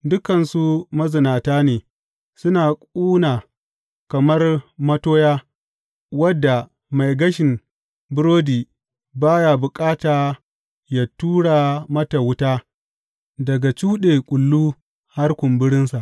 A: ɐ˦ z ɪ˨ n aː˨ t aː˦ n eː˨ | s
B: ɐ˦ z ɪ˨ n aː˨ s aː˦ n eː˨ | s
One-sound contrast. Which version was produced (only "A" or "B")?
A